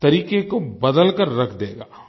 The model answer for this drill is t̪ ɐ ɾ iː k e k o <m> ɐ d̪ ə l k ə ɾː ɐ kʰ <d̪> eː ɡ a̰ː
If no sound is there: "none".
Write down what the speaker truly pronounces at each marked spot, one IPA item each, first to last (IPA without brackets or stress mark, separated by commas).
b, d̪